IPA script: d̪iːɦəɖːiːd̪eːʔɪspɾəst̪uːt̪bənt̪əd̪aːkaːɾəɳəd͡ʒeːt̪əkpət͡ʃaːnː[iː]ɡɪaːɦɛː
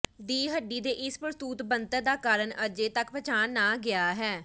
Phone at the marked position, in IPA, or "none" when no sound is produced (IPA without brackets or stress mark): aː